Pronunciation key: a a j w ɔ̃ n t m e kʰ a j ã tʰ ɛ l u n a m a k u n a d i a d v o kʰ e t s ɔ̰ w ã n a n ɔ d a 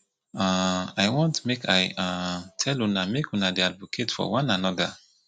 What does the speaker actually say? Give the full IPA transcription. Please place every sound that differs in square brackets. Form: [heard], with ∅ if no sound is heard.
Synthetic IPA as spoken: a a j w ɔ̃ n t m e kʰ a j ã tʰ ɛ l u n a m [e] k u n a d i a d v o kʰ e t [f] ɔ̰ w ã n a n ɔ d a